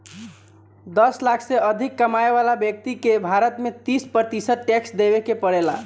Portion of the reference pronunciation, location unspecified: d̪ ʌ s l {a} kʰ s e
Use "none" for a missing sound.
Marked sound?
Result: a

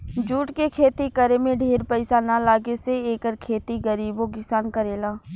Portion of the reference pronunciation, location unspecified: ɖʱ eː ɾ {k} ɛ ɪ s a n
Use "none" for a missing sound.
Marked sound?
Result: p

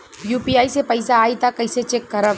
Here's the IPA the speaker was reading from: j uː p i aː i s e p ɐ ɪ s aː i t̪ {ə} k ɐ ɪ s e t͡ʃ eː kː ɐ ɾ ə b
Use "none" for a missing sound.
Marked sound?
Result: a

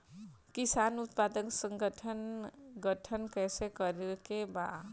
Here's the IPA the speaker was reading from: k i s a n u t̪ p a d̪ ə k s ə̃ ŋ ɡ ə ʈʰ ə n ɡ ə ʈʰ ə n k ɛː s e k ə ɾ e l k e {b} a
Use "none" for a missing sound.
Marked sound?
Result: b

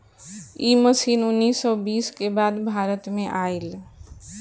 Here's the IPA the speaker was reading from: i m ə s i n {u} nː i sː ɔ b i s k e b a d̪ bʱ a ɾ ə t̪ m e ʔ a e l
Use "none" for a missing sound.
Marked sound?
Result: u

